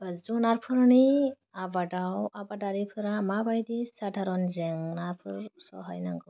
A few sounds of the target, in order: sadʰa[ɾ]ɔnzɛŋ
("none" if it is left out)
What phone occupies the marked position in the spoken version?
ɾ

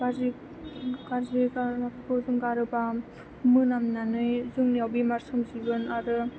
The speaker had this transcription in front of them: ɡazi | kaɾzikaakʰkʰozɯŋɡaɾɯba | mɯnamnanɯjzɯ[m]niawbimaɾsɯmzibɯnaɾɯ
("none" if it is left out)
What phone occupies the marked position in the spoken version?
ŋ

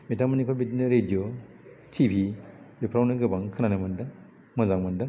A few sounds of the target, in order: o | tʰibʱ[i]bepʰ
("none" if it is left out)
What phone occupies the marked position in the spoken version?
i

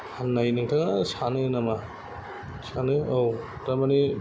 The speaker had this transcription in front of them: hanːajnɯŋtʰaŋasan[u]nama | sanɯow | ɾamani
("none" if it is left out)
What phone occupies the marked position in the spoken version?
ɯ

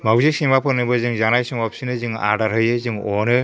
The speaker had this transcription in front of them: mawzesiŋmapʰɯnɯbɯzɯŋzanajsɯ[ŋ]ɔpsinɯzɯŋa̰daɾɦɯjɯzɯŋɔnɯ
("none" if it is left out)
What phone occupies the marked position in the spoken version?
ŋ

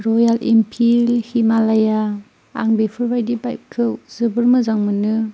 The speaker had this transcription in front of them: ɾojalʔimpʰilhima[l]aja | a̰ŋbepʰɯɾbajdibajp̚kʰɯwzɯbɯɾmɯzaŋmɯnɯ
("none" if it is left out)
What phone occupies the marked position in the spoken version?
l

